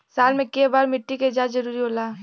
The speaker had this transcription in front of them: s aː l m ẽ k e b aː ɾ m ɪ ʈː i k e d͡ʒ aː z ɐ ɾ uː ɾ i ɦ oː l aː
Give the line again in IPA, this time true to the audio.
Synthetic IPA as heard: s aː l m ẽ k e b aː ɾ m ɪ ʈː i k e d͡ʒ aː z ɐ ɾ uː ɾ i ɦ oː l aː